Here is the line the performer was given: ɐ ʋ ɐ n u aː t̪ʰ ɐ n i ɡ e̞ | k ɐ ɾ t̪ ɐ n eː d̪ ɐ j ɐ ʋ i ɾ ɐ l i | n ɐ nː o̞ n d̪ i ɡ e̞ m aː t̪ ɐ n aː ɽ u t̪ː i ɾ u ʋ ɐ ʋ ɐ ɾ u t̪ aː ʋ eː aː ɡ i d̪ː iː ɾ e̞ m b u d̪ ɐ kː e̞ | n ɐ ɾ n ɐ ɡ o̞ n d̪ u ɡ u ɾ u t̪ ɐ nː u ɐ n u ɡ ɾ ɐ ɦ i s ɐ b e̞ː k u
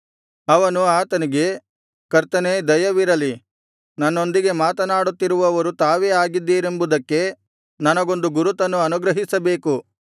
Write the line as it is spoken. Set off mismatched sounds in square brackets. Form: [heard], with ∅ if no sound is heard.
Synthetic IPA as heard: ɐ ʋ ɐ n u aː [t̪] ɐ n i ɡ e̞ | k ɐ ɾ t̪ ɐ n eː d̪ ɐ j ɐ ʋ i ɾ ɐ l i | n ɐ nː o̞ n d̪ i ɡ e̞ m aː t̪ ɐ n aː ɽ u t̪ː i ɾ u ʋ ɐ ʋ ɐ ɾ u t̪ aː ʋ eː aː ɡ i d̪ː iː ɾ e̞ m b u d̪ ɐ kː e̞ | n ɐ [∅] n ɐ ɡ o̞ n d̪ u ɡ u ɾ u t̪ ɐ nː u ɐ n u ɡ ɾ ɐ ɦ i s ɐ b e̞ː k u